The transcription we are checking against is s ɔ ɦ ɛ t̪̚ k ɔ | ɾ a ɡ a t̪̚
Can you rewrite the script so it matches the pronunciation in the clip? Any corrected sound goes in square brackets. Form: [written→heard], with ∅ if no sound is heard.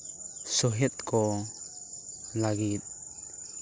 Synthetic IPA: s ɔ ɦ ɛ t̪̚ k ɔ | [ɾ→l] a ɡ [a→i] t̪̚